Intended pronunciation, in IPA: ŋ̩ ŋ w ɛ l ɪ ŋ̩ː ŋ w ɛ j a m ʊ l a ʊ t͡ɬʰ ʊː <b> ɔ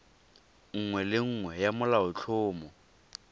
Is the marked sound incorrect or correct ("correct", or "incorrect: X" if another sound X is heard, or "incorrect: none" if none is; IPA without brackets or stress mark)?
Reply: incorrect: m